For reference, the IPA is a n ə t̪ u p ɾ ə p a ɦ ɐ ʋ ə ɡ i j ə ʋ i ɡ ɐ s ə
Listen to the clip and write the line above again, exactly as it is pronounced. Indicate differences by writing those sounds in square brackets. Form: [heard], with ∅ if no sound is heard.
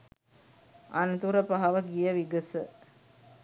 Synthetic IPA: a n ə t̪ u [∅] ɾ ə p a ɦ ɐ ʋ ə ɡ i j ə ʋ i ɡ [ə] s ə